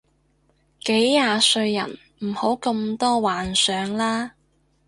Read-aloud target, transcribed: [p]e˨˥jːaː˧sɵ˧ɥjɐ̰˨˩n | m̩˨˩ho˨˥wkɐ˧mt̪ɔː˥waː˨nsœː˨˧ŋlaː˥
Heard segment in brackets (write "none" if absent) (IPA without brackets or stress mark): k